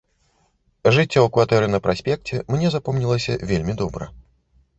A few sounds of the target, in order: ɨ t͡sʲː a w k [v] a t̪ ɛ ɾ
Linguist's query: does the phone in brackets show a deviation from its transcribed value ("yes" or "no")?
no